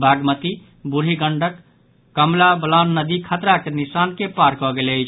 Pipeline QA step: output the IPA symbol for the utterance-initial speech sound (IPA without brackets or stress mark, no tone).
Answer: bʱ